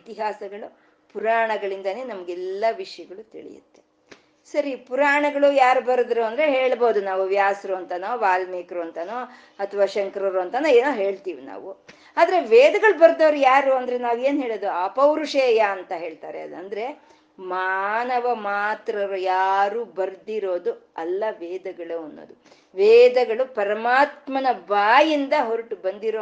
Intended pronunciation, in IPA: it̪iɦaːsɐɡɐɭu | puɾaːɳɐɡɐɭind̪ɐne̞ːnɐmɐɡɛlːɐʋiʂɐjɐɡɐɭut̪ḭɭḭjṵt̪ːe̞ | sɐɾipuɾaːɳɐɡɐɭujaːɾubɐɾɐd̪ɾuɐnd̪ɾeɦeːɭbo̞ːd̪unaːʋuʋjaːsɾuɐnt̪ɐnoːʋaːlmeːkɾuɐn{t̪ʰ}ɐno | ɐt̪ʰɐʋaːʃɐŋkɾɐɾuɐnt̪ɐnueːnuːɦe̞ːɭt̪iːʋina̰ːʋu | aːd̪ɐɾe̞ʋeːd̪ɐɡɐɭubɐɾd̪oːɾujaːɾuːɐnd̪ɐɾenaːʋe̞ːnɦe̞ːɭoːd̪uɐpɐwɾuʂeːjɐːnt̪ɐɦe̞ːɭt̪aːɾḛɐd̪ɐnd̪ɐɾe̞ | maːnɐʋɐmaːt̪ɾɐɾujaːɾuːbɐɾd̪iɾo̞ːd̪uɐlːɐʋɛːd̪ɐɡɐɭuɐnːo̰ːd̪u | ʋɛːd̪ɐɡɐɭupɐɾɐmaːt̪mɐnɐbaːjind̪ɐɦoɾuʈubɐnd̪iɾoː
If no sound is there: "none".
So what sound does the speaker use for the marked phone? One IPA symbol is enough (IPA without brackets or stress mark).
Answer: t̪